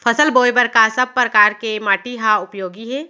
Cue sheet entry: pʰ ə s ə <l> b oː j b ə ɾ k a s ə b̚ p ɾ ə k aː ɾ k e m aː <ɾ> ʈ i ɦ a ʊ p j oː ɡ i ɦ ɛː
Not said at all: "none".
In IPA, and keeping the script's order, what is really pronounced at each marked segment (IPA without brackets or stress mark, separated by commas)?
l, none